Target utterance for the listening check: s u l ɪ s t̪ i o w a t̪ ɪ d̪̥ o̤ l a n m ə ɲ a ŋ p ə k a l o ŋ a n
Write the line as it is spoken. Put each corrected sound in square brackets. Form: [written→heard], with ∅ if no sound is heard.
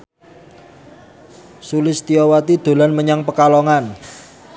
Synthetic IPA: s u l ɪ s t̪ i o w a t̪ [ɪ→i] d̪̥ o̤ l a n m ə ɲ a ŋ p ə k a l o ŋ a n